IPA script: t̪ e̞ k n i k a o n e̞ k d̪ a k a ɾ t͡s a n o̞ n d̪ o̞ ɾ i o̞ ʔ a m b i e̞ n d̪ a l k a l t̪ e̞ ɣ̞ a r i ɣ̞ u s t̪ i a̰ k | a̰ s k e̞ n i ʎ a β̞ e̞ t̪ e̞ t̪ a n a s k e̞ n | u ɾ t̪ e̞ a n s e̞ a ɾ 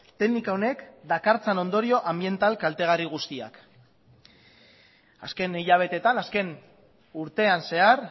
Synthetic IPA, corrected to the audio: t̪ e̞ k n i k a o n e̞ k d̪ a k a ɾ t͡s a n o̞ n d̪ o̞ ɾ i o̞ ʔ a m b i e̞ n t̪ a l k a l t̪ e̞ ɣ̞ a r i ɣ̞ u s t̪ i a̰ k | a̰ s k e̞ n i ʎ a β̞ e̞ t̪ e̞ t̪ a n a s k e̞ n | u ɾ t̪ e̞ a n s e̞ a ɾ